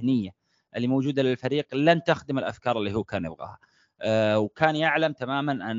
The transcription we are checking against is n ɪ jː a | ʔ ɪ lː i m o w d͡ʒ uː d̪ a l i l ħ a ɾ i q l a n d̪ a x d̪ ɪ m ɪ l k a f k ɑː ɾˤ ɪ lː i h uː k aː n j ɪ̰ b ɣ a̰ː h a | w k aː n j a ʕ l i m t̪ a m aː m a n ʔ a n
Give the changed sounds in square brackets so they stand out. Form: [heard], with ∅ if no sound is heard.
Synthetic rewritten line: n ɪ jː a | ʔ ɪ lː i m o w d͡ʒ uː d̪ a l [ɪ] l [f] a ɾ [iː] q l a n [t̪] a x d̪ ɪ m ɪ l [ʔ] a f k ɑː ɾˤ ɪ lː i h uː k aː n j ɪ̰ b ɣ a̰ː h a | w k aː n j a ʕ l [a] m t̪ a m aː m a n ʔ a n